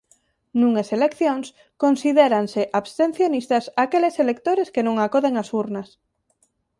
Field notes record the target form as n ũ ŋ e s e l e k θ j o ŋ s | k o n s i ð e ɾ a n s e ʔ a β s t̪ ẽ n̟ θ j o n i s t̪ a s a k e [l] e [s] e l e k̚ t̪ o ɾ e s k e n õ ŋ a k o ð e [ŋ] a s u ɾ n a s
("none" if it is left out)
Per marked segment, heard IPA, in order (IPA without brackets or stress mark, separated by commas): l, s, ŋ